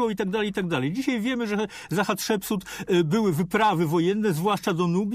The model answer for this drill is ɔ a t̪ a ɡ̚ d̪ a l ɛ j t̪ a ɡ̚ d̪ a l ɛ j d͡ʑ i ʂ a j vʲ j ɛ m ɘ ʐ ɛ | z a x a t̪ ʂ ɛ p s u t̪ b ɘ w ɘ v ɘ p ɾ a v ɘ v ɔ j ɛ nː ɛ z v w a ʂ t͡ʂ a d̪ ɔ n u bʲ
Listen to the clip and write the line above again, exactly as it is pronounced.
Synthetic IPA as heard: ɔ i t̪ a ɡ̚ d̪ a l ɛ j t̪ a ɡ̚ d̪ a l ɛ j d͡ʑ i ɕ a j vʲ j ɛ m ɘ ʐ ɛ | z a x a t̪ ʂ ɛ p s u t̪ b ɘ w ɘ v ɘ p ɾ a v ɘ v ɔ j ɛ nː ɛ z v w a ʂ t͡ʂ a d̪ ɔ n u bʲ